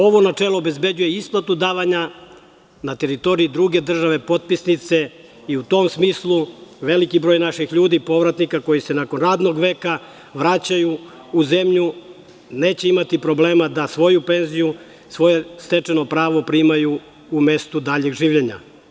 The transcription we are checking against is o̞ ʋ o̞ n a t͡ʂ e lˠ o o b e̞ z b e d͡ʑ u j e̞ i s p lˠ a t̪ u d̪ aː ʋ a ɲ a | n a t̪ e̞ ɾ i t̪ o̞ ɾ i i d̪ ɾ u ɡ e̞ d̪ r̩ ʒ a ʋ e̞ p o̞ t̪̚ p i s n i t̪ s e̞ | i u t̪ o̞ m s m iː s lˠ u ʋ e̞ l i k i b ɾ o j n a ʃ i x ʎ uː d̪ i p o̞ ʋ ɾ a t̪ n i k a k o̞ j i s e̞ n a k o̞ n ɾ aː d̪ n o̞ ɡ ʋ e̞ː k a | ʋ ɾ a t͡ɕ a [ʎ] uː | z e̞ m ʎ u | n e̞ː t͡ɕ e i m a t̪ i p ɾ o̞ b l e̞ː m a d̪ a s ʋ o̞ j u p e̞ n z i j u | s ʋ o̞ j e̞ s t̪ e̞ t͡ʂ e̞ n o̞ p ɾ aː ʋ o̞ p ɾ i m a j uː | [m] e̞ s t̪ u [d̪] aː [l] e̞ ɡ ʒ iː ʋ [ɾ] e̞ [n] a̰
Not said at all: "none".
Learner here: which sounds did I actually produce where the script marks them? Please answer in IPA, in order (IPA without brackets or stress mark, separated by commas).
j, m, d̪, ʎ, ʎ, ɲ